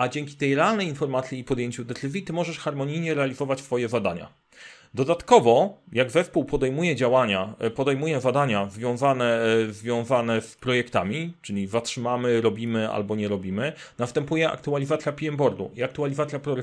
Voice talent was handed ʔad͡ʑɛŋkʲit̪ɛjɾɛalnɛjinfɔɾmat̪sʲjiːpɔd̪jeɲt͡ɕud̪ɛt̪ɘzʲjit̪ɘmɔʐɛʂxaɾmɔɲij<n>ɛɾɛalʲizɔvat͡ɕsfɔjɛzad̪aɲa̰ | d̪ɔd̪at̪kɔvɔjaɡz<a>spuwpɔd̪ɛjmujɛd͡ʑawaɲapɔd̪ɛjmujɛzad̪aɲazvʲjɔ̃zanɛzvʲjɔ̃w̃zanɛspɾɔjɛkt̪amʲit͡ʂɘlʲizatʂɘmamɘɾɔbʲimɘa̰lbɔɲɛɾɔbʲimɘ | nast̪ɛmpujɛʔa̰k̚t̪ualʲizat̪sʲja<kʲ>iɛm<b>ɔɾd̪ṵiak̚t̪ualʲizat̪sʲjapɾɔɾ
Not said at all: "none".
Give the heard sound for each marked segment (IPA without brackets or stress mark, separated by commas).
ɲ, ɛ, pʲ, b